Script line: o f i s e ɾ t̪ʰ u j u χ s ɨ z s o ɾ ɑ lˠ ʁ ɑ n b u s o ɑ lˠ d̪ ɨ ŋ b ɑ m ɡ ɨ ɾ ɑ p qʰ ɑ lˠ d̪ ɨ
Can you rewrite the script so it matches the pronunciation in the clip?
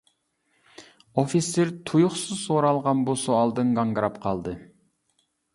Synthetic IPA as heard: o f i s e ɾ t̪ʰ u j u χ s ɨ z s o ɾ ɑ lˠ ʁ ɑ n b u s o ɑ lˠ d̪ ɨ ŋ ɡ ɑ ŋ ɡ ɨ ɾ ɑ p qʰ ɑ lˠ d̪ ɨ